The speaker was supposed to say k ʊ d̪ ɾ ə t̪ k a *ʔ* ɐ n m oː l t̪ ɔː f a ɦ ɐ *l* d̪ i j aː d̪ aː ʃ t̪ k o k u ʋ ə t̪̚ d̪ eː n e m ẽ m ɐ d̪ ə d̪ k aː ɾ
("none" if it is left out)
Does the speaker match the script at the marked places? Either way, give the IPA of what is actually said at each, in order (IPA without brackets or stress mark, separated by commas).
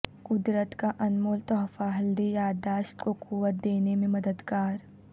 ʔ, l